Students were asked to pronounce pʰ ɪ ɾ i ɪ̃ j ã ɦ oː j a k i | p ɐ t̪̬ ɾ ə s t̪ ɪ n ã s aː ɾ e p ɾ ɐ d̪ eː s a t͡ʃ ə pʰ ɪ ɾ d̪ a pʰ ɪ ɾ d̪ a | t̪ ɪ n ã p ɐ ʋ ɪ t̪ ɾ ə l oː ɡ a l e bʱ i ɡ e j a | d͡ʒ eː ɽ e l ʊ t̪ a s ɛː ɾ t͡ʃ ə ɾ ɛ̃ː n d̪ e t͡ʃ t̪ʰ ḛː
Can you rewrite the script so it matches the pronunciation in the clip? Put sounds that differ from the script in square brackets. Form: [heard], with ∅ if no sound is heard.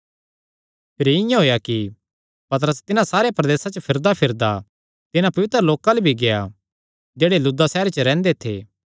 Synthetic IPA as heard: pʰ ɪ ɾ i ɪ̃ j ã ɦ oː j a k i | p ɐ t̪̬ ɾ ə s t̪ ɪ n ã s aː ɾ e p ɾ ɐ d̪ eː s a t͡ʃ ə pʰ ɪ ɾ d̪ a pʰ ɪ ɾ d̪ a | t̪ ɪ n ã p ɐ ʋ ɪ t̪ ɾ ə l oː [k] a l e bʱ i ɡ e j a | d͡ʒ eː ɽ e l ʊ [d̪] a s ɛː ɾ t͡ʃ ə ɾ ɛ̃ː n d̪ e [∅] t̪ʰ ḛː